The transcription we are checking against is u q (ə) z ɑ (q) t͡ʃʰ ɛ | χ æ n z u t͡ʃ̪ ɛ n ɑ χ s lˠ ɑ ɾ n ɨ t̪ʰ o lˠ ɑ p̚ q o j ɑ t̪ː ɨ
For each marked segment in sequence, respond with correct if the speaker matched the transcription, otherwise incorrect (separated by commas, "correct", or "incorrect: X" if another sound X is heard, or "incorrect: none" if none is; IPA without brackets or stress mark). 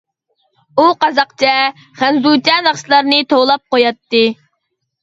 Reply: incorrect: ɑ, correct